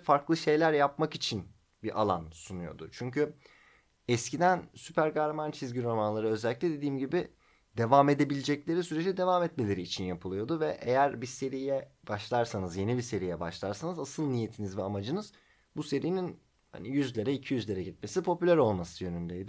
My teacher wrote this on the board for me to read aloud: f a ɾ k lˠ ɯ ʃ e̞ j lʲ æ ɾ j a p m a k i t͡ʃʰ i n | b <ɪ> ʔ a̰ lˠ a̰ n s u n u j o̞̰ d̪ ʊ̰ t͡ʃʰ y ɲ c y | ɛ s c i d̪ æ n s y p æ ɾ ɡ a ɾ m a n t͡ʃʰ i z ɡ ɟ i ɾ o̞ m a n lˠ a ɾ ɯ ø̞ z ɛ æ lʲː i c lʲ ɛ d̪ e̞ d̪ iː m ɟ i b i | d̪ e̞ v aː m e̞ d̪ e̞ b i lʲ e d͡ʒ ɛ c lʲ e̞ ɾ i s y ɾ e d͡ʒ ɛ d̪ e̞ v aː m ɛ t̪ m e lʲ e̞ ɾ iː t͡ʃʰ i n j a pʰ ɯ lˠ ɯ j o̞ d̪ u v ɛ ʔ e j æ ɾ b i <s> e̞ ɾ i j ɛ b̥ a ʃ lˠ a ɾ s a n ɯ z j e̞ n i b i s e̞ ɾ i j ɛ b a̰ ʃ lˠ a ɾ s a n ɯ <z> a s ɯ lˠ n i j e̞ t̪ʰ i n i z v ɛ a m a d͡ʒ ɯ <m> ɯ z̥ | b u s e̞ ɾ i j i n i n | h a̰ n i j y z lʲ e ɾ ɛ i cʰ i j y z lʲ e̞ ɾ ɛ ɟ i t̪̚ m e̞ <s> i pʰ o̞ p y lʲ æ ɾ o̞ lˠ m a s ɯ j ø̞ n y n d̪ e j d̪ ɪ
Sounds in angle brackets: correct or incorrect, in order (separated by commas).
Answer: incorrect, correct, correct, incorrect, correct